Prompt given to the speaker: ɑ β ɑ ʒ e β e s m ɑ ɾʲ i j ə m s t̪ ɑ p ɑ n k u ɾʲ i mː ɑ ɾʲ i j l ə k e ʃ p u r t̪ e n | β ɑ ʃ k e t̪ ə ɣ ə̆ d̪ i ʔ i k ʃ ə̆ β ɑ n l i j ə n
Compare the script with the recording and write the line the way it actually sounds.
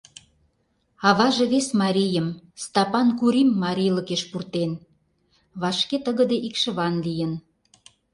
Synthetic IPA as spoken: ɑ β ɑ ʒ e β e s m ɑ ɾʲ i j ə m s t̪ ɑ p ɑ n k u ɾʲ i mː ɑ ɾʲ i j l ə k e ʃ p u r t̪ e n | β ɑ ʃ k e t̪ ə ɣ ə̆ d̪ e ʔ i k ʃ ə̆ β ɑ n l i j ə n

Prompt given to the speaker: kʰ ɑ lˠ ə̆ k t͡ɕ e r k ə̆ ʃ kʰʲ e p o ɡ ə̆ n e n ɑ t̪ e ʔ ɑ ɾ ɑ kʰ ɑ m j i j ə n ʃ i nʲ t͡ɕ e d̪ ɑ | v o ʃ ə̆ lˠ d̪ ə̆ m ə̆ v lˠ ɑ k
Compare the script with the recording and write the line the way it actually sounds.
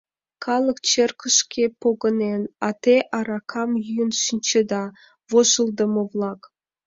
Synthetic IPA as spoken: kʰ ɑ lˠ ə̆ k t͡ɕ e r k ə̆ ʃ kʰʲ e p o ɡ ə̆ n e n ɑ t̪ e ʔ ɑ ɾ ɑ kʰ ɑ m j y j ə n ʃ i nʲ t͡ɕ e d̪ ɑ | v o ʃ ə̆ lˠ d̪ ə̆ m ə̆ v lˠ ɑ k

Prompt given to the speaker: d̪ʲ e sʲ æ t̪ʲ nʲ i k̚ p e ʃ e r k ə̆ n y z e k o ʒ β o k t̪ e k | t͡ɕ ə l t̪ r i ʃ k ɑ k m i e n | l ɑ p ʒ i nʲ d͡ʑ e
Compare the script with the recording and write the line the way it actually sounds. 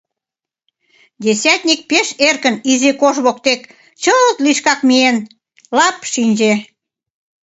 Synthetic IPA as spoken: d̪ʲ e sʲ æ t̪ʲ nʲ i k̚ p e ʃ e r k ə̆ n i z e k o ʒ β o k t̪ e k | t͡ɕ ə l t̪ l i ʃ k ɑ k m i e n | l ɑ p ʃ i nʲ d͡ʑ e

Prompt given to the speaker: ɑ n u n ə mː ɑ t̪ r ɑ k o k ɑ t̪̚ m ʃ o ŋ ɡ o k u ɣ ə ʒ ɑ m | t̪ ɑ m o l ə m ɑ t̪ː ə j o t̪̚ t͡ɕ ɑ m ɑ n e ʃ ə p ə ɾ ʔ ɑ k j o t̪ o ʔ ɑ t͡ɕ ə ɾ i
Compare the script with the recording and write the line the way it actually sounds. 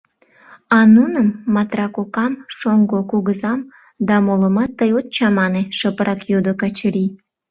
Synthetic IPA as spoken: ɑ n u n ə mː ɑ t̪ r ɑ k o k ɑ m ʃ o ŋ ɡ o k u ɣ ə z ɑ m | d̪ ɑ m o l ə m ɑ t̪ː ə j o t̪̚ t͡ɕ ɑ m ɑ n e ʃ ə p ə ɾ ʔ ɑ k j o d̪ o k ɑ t͡ɕ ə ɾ i

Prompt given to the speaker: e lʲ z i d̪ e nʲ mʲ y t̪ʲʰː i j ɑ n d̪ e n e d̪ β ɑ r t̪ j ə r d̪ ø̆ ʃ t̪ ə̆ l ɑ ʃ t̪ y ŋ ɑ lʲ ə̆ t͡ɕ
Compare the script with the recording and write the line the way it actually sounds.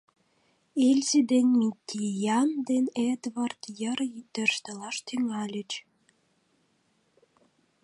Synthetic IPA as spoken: e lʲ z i d̪ e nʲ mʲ i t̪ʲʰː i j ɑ n d̪ e n e d̪ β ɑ r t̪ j ə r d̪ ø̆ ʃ t̪ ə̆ l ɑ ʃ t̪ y ŋ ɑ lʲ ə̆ t͡ɕ

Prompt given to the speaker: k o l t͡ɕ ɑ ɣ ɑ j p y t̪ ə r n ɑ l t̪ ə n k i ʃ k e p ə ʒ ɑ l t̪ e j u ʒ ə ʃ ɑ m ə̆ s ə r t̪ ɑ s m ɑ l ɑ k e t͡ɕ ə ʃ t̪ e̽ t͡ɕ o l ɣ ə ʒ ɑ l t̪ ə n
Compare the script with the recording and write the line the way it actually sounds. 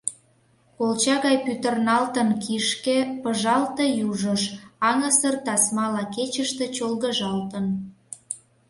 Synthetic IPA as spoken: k o l t͡ɕ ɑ ɣ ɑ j p y t̪ ə r n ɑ l t̪ ə n k i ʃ k e p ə ʒ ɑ l t̪ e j u ʒ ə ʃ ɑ ŋ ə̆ s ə r t̪ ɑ s m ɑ l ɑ k e t͡ɕ ə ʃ t̪ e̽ t͡ɕ o l ɣ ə ʒ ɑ l t̪ ə n

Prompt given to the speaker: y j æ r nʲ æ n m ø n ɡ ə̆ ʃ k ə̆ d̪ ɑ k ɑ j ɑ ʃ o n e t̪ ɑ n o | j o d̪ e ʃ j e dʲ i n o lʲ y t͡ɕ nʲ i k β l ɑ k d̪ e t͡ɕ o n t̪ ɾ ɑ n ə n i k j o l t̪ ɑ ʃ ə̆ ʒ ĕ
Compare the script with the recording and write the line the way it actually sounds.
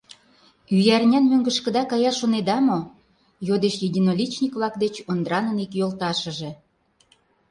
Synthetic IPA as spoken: y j æ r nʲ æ n m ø ŋ ɡ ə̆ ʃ k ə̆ d̪ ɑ k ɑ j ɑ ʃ o n e d̪ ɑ m o | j o d̪ e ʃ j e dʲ i n o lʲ i t͡ɕ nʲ i k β l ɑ k d̪ e t͡ɕ o n d̪ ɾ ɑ n ə n i k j o l t̪ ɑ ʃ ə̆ ʒ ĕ

